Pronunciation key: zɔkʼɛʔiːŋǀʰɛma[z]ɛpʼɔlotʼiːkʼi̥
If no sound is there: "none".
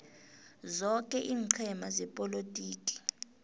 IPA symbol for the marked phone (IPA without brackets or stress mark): z